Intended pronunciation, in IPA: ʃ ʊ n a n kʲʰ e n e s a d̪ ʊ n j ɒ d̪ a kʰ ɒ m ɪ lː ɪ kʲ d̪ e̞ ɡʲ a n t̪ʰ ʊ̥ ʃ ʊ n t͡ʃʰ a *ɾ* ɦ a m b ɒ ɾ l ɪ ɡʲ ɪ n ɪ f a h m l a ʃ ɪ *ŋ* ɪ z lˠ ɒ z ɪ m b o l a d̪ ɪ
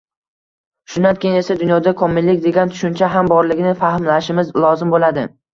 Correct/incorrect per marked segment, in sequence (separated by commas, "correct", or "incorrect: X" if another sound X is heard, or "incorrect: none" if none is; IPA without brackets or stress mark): incorrect: none, incorrect: m